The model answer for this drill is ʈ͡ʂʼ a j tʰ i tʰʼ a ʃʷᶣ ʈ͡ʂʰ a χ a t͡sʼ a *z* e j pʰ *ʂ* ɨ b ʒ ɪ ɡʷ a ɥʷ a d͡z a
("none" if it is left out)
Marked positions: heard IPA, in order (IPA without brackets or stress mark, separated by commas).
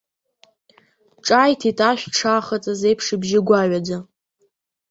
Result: z, ʂ